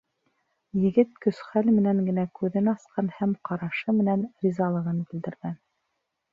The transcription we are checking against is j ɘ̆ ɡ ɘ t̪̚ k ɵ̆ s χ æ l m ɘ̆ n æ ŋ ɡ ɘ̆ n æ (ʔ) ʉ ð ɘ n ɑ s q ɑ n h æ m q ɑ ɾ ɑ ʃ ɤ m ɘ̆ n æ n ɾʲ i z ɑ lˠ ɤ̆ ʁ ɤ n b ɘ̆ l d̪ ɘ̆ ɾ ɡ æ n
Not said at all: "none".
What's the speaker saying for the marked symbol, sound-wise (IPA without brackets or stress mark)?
k